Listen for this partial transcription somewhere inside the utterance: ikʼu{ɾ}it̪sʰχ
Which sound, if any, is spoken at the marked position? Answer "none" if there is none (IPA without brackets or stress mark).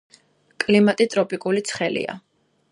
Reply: l